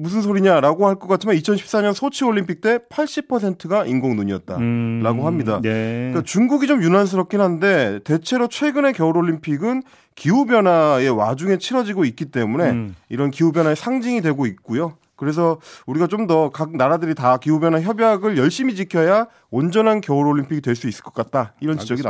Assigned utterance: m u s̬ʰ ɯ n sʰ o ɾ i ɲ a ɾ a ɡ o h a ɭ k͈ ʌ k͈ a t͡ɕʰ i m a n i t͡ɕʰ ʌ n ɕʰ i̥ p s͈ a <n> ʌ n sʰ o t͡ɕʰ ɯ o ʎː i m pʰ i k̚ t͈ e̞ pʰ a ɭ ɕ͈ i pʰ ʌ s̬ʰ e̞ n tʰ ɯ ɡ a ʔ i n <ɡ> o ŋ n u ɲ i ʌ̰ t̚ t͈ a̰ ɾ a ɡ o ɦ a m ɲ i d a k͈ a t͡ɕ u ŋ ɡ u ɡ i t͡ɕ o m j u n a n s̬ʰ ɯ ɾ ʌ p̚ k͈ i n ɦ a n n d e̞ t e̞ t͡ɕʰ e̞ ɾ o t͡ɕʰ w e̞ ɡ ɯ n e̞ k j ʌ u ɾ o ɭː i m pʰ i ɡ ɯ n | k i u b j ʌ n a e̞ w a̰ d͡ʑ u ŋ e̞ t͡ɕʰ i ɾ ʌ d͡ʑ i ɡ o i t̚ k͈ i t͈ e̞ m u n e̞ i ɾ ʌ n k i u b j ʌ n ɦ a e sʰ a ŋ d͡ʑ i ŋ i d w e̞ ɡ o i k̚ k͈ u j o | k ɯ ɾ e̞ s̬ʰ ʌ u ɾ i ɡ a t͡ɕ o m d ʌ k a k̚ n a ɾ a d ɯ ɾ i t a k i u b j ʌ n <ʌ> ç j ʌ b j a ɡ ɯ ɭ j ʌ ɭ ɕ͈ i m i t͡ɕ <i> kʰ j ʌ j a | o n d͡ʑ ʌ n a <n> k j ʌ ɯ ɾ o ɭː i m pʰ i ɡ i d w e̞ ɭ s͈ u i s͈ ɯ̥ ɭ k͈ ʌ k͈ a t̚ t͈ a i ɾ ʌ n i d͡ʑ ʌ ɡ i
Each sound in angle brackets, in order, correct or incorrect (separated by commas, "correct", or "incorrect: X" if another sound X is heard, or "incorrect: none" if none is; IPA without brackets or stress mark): incorrect: ɲ, correct, incorrect: a, correct, correct